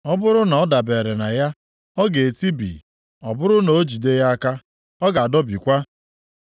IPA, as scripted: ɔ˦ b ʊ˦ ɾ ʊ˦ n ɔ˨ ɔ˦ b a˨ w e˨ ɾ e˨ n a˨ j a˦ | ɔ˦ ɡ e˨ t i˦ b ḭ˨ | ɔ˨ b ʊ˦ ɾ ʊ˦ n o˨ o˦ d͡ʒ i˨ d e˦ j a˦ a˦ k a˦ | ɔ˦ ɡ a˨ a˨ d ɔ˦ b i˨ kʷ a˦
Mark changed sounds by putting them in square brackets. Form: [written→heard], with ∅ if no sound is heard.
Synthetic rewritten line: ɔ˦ b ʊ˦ ɾ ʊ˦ n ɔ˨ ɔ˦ [b→d] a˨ [w→b] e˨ ɾ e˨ n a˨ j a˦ | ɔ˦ ɡ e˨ t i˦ b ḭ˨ | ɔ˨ b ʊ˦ ɾ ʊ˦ n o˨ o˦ d͡ʒ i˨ d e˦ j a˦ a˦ k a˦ | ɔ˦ ɡ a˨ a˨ d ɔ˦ b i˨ kʷ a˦